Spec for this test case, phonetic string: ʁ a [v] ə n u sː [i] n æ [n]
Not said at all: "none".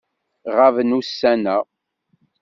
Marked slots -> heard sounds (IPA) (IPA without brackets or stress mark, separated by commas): v, æ, none